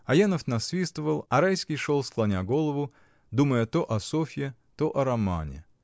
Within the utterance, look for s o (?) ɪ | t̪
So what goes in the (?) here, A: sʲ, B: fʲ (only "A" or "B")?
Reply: B